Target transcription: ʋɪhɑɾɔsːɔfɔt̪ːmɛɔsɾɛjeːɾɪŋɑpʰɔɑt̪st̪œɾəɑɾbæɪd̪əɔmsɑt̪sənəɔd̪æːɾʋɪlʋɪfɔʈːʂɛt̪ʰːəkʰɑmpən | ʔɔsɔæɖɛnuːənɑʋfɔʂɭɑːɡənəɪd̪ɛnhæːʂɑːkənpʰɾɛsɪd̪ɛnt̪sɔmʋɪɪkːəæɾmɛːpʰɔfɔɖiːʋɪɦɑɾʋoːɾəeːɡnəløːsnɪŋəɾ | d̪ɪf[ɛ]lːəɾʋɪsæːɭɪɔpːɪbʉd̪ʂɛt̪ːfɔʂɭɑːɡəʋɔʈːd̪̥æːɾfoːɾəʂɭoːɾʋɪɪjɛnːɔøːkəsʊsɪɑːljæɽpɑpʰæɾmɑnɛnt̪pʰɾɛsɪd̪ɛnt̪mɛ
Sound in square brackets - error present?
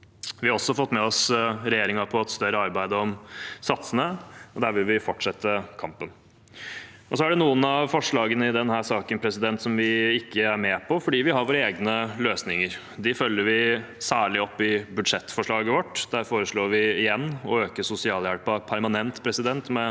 yes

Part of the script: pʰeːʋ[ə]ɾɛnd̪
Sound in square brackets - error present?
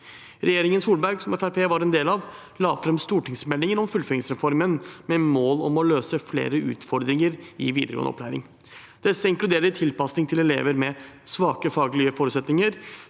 yes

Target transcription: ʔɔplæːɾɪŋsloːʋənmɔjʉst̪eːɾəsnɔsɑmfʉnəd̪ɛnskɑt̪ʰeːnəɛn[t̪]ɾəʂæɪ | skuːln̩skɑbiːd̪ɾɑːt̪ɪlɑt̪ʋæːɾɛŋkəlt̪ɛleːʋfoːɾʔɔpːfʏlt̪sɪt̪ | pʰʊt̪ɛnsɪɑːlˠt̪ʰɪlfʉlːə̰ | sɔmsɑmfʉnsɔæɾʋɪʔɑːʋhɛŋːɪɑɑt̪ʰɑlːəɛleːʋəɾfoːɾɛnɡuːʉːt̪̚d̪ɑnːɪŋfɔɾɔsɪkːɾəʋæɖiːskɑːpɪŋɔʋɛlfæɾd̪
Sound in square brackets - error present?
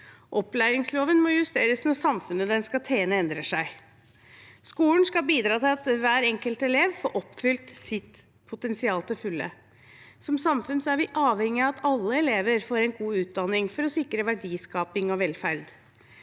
yes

